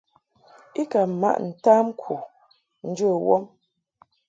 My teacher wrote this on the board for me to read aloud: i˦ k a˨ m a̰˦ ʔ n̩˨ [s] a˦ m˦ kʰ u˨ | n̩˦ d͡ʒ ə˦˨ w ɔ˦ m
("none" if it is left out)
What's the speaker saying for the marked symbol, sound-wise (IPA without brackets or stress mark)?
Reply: t